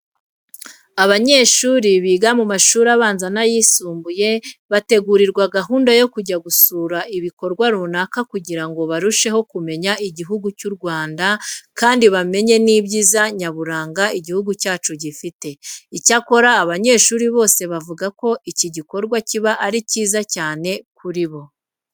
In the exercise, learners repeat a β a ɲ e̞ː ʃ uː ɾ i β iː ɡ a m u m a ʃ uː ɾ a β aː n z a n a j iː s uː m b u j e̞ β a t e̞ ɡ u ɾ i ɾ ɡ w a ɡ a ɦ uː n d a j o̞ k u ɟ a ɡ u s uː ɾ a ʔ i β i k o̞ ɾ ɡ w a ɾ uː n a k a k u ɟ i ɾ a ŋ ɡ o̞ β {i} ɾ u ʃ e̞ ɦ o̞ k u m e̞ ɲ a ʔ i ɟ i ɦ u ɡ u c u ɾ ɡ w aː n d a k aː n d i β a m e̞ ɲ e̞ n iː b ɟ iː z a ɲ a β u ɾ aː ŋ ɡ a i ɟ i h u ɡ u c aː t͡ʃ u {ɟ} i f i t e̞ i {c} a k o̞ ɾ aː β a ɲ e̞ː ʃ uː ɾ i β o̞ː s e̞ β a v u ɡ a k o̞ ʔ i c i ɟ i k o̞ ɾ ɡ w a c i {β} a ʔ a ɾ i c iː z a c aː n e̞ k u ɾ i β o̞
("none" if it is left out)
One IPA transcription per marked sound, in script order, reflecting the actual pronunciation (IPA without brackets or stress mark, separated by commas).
a, ɟ, c, β